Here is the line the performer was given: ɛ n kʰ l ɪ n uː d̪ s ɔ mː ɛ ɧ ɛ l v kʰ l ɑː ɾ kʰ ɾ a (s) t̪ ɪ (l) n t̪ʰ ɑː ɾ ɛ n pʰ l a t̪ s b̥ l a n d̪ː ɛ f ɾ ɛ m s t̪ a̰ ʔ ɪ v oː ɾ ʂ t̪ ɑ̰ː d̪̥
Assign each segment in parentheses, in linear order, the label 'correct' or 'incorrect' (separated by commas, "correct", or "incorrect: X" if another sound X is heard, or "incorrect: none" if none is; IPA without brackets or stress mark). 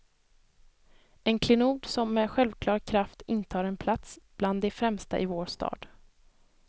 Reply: incorrect: f, incorrect: none